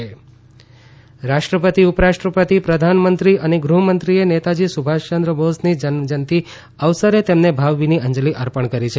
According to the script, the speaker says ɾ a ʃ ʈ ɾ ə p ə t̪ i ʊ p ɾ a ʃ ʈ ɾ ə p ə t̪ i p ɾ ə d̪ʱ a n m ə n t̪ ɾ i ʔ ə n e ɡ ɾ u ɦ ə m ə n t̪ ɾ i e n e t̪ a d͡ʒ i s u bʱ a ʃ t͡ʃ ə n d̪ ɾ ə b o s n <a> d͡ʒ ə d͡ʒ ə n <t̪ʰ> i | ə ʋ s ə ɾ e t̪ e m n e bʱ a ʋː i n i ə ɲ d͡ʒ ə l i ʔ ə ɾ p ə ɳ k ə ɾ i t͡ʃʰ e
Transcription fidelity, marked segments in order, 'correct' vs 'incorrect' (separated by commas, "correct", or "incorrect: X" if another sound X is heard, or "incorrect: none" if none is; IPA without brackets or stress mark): incorrect: i, incorrect: t̪